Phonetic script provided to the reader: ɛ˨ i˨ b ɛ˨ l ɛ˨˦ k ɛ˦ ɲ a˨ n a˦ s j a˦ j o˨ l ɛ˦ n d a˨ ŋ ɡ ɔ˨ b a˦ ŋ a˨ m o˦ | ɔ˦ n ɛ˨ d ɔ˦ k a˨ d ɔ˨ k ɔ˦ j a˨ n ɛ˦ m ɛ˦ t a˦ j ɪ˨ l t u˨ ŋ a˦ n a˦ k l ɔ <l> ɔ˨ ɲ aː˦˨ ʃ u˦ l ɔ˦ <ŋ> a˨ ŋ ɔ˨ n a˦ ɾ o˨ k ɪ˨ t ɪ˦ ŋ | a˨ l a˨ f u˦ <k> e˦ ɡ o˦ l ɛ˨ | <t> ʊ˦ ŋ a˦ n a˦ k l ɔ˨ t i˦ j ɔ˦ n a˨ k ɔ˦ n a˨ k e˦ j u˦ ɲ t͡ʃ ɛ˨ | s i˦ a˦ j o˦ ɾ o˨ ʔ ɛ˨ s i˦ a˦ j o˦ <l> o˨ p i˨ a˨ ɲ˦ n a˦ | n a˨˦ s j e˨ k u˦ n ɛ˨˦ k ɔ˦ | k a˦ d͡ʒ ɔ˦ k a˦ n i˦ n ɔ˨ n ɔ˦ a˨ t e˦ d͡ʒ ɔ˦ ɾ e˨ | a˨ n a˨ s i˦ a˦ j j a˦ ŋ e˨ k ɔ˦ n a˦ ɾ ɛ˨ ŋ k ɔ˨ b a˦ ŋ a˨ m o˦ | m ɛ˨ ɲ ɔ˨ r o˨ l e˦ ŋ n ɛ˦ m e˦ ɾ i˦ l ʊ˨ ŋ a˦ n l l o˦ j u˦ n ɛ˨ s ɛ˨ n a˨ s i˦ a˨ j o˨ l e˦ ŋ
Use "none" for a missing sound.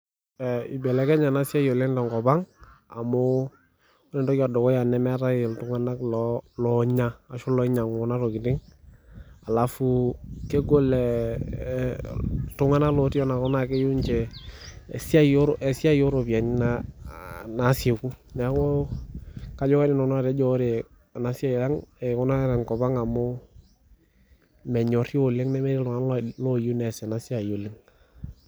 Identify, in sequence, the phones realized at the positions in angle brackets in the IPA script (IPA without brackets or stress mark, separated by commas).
l, ɲ, k, t, ɾ